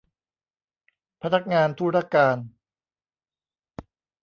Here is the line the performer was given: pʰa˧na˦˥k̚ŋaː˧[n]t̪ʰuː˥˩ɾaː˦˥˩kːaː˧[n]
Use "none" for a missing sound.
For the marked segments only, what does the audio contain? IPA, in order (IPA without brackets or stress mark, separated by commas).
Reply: n, n